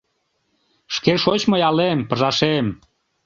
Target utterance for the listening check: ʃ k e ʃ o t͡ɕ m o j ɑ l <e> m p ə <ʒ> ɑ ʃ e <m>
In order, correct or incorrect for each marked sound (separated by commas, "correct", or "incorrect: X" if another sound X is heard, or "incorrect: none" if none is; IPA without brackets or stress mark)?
correct, correct, correct